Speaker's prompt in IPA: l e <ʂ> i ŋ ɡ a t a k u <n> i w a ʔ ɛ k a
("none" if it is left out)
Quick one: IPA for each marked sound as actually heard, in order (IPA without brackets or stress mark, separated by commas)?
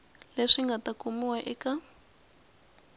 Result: ʂ, m